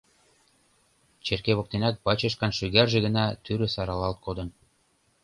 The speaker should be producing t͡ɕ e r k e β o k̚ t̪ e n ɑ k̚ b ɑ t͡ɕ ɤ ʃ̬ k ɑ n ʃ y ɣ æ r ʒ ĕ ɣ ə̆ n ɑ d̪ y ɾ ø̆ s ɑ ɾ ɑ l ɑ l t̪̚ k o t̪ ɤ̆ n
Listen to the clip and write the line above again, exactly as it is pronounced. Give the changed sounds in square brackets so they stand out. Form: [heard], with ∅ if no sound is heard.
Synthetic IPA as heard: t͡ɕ e r k e β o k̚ t̪ e n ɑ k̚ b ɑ t͡ɕ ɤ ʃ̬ k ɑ n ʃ y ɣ æ r ʒ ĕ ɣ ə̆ n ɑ [t̪] y ɾ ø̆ s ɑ ɾ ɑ l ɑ l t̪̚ k o [d̪] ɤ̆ n